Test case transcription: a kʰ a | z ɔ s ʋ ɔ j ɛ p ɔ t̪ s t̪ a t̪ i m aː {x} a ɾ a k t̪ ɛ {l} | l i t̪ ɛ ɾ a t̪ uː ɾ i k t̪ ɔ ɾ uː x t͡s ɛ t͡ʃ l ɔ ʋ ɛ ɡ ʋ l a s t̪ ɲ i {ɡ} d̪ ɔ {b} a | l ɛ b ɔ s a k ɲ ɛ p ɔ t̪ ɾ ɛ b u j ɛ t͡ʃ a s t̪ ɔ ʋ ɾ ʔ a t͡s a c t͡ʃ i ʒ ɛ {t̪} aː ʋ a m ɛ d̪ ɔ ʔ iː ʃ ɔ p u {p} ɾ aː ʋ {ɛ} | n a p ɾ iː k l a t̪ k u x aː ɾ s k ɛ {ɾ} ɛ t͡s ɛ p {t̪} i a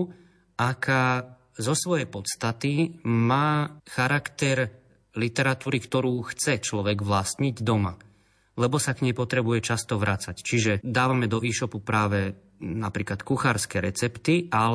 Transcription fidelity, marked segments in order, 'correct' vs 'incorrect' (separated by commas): correct, incorrect, incorrect, incorrect, incorrect, correct, correct, correct, correct